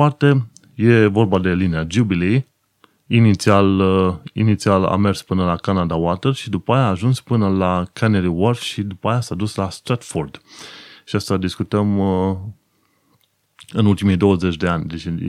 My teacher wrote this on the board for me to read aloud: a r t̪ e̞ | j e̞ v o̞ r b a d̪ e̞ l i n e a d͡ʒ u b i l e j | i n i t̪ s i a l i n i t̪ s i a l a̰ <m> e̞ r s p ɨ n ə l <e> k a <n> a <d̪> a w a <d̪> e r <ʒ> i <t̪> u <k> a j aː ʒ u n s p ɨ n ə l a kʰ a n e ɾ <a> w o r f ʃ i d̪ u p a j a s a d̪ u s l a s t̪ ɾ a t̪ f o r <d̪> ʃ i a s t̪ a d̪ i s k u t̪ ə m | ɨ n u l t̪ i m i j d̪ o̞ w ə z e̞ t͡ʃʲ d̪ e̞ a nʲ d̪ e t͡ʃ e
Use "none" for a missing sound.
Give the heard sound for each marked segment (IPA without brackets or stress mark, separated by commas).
m, a, n, d̪, t̪, ʃ, d̪, p, i, d̪